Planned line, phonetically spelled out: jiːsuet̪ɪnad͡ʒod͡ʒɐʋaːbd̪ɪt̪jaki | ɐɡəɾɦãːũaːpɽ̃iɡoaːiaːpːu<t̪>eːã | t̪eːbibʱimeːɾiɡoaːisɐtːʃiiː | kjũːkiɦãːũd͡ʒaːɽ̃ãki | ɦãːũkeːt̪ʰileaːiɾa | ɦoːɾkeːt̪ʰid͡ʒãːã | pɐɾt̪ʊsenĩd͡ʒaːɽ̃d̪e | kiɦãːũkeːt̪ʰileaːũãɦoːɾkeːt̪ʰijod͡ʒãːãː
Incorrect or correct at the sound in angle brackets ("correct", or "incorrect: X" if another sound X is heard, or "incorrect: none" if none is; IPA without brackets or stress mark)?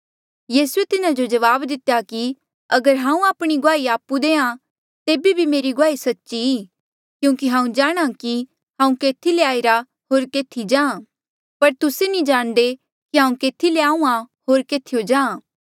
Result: incorrect: d̪